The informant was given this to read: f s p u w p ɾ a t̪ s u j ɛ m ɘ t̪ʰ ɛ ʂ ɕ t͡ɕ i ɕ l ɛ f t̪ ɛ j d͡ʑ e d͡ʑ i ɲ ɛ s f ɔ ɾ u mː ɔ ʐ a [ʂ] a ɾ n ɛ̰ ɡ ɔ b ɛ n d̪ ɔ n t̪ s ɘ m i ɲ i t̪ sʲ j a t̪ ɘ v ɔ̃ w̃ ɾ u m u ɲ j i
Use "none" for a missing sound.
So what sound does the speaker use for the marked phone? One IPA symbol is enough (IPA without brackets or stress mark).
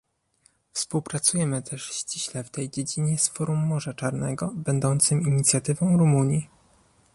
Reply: t͡ʂ